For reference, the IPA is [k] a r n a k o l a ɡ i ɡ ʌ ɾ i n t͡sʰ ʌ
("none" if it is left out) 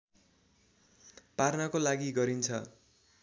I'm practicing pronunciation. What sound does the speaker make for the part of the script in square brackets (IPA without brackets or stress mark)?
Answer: p